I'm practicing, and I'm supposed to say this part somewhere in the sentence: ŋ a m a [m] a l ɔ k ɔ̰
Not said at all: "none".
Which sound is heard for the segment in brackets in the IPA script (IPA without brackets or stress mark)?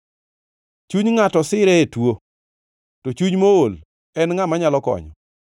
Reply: ɲ